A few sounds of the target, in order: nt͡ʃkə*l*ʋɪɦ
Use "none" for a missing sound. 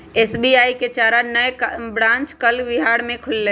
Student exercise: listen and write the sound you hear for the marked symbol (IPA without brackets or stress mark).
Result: l